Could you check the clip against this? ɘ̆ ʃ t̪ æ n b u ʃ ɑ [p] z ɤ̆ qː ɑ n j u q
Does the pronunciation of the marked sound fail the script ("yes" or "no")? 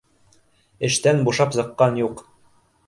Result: no